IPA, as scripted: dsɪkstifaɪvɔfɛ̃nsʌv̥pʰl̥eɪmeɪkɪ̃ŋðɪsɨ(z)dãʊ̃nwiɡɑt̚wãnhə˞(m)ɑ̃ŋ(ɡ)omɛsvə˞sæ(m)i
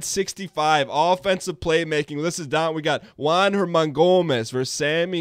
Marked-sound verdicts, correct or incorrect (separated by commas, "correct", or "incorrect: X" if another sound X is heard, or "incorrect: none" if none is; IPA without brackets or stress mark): correct, correct, correct, correct